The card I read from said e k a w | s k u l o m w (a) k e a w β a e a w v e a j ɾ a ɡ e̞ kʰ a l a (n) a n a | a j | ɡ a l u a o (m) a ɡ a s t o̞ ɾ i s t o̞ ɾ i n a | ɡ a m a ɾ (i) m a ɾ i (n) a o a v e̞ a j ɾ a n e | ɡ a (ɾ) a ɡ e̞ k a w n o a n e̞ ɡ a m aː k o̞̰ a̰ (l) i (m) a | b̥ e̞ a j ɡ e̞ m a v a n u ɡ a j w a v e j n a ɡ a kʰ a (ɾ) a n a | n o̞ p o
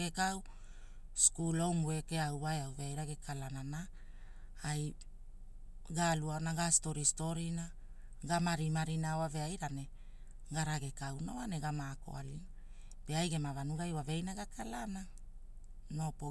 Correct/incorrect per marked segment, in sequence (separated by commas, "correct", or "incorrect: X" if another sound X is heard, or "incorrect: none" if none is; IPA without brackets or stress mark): incorrect: e, correct, incorrect: n, correct, correct, correct, correct, incorrect: n, incorrect: l